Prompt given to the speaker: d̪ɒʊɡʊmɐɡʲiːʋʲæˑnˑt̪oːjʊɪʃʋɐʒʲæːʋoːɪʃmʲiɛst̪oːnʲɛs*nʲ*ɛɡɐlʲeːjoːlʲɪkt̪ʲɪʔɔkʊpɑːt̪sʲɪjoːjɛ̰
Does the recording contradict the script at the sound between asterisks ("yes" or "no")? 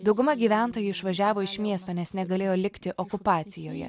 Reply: no